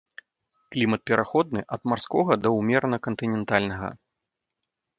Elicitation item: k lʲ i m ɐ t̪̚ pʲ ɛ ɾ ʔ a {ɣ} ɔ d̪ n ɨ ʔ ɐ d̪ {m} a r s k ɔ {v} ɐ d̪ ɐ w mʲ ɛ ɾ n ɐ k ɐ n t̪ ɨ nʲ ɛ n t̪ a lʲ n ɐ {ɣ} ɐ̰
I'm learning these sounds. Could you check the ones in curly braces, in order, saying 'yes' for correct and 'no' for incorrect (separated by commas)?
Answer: no, yes, no, yes